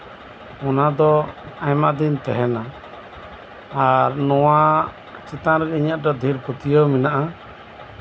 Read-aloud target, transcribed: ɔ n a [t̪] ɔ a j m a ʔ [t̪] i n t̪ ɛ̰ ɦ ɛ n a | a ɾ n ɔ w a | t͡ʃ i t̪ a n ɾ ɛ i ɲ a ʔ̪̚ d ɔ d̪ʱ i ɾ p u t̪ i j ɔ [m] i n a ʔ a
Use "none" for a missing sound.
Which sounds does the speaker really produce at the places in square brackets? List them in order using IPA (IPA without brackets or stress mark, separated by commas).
d̪, d̪, m